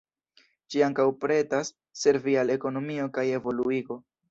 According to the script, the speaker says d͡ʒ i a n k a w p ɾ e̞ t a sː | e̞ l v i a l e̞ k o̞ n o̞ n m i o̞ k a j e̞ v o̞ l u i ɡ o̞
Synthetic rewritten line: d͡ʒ i a ŋ k a w p ɾ e̞ t a sː | e̞ ɾ v i a l e̞ k o̞ n o̞ m i o̞ k a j e̞ v o̞ l u i ɡ o̞